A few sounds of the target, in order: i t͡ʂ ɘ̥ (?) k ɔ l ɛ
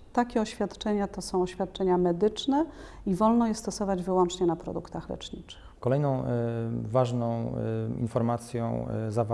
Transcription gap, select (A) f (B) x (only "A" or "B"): B